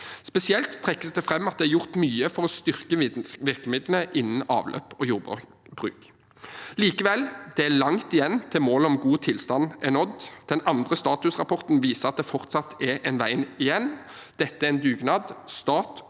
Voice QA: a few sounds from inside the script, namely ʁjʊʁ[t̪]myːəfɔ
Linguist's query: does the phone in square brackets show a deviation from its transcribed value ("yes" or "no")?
no